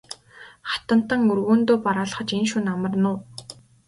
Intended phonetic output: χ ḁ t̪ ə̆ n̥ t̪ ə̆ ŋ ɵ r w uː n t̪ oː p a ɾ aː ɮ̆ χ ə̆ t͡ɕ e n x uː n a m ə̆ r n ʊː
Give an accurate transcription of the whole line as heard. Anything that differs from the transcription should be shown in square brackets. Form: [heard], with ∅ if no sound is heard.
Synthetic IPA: χ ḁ t̪ ə̆ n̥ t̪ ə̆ ŋ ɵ r [ɣ] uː n t̪ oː p a ɾ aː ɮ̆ χ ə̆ t͡ɕ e n [ʃ] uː n a m ə̆ r n ʊː